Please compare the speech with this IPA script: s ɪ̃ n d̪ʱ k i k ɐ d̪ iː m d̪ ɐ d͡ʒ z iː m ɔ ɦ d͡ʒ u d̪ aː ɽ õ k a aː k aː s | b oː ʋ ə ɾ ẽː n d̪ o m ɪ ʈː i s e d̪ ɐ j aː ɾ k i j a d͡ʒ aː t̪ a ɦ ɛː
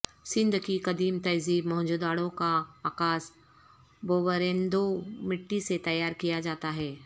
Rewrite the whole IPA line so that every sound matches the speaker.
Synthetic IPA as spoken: s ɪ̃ n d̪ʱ k i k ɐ d̪ iː m t̪ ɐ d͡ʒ z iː m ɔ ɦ d͡ʒ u d̪ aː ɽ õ k a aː k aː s | b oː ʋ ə ɾ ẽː n d̪ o m ɪ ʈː i s e t̪ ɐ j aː ɾ k i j a d͡ʒ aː t̪ a ɦ ɛː

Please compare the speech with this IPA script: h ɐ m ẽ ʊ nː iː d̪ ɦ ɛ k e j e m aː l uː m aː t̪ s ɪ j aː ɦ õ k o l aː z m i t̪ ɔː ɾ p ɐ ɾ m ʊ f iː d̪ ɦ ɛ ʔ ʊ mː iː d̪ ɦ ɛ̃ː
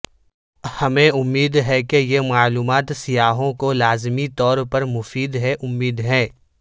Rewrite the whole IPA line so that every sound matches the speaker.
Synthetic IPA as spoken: h ɐ m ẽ ʊ mː iː d̪ ɦ ɛ k e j e m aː l uː m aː t̪ s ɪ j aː ɦ õ k o l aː z m i t̪ ɔː ɾ p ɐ ɾ m ʊ f iː d̪ ɦ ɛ ʔ ʊ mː iː d̪ ɦ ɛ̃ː

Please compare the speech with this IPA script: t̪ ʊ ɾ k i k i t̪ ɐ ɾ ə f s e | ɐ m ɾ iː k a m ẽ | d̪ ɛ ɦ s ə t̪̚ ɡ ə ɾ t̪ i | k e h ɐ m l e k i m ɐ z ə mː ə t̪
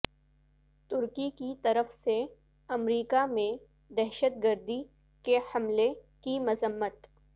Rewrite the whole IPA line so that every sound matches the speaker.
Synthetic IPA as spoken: t̪ ʊ ɾ k i k i t̪ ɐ ɾ ə f s e | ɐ m ɾ iː k a m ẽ | d̪ ɛ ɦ ʃ ə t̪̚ ɡ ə ɾ d̪ i | k e h ɐ m l e k i m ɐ z ə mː ə t̪

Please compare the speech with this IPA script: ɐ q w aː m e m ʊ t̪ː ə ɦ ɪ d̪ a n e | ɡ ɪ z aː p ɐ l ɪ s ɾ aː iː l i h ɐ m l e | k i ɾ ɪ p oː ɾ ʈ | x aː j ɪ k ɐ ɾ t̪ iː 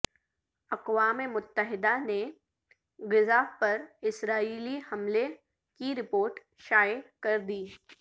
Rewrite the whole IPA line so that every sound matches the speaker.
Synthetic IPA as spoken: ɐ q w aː m e m ʊ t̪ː ə ɦ ɪ d̪ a n e | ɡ ɪ z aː p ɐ ɾ ɪ s ɾ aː iː l i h ɐ m l e | k i ɾ ɪ p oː ɾ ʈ | ʃ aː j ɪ k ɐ ɾ d̪ iː

